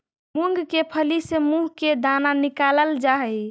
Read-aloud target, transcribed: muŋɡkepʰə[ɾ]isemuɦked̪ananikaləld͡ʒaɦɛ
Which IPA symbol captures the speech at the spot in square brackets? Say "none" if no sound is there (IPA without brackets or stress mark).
l